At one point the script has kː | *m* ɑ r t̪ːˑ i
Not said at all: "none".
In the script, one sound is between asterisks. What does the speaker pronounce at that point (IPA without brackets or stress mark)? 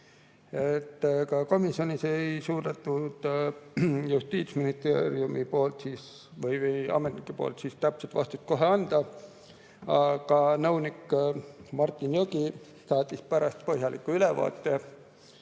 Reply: m